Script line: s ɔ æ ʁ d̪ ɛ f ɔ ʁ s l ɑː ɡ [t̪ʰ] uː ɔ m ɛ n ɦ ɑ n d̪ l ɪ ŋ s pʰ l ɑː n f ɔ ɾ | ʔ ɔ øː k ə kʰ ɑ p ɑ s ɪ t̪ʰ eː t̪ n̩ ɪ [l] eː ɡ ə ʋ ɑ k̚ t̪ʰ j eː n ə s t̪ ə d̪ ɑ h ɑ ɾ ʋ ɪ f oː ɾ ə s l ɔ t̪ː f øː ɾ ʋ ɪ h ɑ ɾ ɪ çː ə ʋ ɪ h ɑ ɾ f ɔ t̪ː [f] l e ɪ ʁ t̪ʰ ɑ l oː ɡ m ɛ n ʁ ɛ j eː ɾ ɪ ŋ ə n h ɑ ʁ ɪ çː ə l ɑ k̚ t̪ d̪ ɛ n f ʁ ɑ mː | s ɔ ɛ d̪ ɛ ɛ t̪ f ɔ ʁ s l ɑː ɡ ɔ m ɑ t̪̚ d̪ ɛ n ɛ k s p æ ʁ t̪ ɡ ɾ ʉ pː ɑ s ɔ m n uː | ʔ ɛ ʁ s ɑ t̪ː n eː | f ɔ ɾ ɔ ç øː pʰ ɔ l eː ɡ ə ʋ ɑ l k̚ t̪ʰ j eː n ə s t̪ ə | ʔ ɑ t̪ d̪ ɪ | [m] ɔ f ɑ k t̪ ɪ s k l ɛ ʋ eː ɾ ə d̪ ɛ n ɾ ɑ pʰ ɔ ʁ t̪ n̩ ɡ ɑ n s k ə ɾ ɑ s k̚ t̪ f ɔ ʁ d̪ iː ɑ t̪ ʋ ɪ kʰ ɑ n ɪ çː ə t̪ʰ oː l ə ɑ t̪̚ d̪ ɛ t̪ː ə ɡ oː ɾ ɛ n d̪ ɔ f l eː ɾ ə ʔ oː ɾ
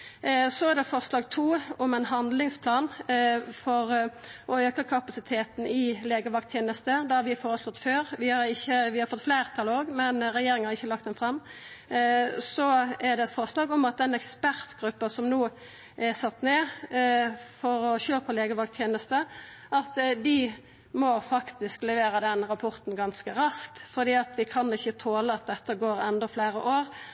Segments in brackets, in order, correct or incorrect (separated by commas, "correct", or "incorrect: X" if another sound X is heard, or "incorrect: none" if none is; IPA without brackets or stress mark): correct, correct, correct, correct